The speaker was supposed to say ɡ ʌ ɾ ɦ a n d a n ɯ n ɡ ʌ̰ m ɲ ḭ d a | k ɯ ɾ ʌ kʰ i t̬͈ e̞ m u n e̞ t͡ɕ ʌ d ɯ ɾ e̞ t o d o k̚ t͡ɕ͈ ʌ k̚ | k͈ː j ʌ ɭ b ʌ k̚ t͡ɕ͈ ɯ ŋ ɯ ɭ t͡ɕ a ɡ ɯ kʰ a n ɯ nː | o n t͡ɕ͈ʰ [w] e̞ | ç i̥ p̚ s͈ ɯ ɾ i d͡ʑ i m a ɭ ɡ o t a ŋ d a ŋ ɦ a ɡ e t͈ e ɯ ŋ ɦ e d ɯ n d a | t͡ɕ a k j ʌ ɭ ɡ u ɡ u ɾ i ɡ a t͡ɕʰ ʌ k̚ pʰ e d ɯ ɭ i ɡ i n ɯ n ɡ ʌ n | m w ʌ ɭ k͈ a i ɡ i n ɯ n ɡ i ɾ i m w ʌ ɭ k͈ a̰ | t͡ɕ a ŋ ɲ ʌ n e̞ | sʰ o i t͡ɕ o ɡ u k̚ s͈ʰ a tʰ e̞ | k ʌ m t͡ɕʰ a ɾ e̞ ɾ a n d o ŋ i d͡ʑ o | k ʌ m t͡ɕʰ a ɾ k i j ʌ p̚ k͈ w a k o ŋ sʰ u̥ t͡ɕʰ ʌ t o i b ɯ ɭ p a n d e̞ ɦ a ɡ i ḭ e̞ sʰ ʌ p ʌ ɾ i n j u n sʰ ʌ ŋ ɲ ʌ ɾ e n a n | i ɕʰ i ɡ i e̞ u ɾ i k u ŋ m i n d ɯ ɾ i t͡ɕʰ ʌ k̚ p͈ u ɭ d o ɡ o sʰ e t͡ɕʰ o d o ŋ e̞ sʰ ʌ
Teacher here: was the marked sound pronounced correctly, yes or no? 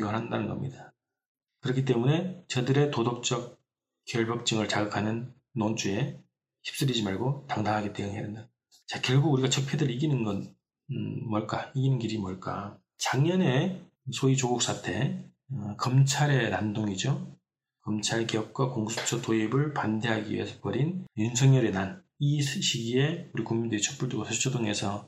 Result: no